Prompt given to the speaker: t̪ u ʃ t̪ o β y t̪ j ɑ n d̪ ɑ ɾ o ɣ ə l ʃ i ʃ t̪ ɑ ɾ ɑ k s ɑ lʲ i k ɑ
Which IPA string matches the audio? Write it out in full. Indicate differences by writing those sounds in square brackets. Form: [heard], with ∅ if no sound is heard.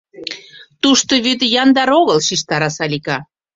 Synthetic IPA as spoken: t̪ u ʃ t̪ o β y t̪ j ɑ n d̪ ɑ ɾ o ɣ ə l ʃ i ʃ t̪ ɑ ɾ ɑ [∅] s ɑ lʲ i k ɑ